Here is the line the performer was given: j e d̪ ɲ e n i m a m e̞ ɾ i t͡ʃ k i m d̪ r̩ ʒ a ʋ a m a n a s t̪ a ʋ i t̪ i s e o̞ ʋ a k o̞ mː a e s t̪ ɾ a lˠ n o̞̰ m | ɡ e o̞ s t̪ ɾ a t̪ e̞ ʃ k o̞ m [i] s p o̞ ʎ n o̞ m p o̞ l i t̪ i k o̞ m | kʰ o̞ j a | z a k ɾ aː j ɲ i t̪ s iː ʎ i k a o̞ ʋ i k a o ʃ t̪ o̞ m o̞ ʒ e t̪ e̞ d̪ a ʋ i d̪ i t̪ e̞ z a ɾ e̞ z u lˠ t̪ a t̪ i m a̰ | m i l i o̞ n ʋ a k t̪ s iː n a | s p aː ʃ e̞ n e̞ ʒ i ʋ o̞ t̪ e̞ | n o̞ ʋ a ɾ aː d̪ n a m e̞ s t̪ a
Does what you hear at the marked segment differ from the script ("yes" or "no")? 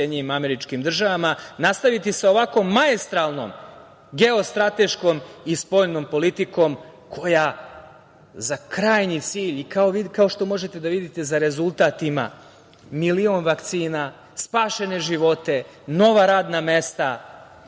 no